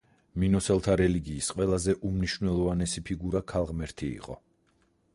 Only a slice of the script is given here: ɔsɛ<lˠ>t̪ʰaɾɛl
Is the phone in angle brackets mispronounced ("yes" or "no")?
no